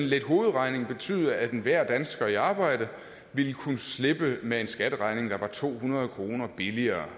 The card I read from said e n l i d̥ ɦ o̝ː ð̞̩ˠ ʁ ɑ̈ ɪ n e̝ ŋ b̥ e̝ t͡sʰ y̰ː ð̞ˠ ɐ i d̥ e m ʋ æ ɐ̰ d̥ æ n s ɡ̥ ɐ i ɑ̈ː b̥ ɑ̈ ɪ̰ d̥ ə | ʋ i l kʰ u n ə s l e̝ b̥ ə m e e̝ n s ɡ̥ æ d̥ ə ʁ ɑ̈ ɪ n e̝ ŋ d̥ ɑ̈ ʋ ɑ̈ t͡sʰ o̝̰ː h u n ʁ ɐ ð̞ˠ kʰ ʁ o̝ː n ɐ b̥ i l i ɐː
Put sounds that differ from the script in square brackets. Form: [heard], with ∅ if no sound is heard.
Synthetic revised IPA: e n l [e] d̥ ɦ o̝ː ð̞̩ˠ ʁ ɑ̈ ɪ n e̝ ŋ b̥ e̝ t͡sʰ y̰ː ð̞ˠ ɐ [æ] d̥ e [n] ʋ æ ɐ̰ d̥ æ n s ɡ̥ ɐ i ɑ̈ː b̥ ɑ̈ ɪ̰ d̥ ə | ʋ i l kʰ u n ə s l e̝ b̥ ə m e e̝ n s ɡ̥ æ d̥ ə ʁ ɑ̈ ɪ n e̝ ŋ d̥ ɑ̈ ʋ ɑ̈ t͡sʰ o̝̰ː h u n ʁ ɐ ð̞ˠ kʰ ʁ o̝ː n ɐ b̥ i l i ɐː

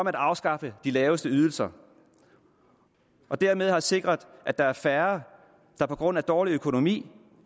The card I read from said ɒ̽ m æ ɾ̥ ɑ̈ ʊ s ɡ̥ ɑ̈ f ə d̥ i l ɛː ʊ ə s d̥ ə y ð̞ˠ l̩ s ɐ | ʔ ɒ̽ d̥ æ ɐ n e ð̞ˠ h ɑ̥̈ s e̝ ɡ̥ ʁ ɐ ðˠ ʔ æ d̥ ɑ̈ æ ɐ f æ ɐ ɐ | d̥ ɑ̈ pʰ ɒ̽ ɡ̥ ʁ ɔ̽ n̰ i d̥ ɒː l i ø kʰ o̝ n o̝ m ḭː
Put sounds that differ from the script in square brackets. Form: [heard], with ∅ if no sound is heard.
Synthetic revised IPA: ɒ̽ m æ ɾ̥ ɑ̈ ʊ s ɡ̥ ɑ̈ f ə d̥ i l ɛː ʊ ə s d̥ ə y ð̞ˠ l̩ s ɐ | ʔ ɒ̽ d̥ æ ɐ [m] e ð̞ˠ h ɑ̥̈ s e̝ ɡ̥ ʁ ɐ ðˠ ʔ æ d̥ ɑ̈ æ ɐ f æ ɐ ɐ | d̥ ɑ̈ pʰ ɒ̽ ɡ̥ ʁ ɔ̽ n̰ [æ] d̥ ɒː l i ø kʰ o̝ n o̝ m ḭː

